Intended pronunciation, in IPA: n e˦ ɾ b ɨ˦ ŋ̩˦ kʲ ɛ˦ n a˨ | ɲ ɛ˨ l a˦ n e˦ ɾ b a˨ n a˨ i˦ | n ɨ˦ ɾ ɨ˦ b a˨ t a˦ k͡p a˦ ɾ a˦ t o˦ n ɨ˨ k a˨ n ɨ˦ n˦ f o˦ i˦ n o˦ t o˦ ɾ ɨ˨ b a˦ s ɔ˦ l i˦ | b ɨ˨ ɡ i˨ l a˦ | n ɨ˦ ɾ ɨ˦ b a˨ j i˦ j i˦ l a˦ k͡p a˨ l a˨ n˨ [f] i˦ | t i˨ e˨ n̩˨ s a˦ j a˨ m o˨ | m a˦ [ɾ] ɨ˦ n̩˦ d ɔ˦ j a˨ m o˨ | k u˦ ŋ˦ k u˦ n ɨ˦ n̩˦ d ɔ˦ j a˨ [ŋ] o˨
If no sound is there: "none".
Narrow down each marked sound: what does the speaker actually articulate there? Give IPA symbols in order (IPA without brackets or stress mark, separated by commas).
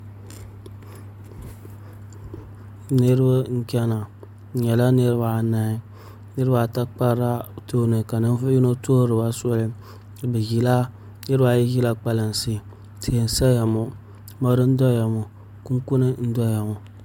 s, ɾ, m